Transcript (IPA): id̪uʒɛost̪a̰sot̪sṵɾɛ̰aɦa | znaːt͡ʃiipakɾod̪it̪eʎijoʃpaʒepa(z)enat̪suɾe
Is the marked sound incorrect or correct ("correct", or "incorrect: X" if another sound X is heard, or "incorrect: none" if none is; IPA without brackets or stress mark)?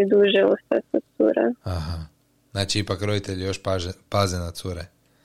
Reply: correct